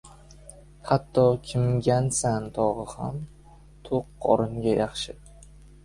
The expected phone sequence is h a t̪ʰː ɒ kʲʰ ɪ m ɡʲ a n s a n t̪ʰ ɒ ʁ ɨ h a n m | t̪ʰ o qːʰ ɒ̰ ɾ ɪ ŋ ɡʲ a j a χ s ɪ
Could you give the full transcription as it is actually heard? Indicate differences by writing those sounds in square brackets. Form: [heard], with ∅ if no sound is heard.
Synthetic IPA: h a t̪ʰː ɒ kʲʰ ɪ m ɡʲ a n s a n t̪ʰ ɒ ʁ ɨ h a [∅] m | t̪ʰ o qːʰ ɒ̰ ɾ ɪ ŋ ɡʲ a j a χ [ʃ] ɪ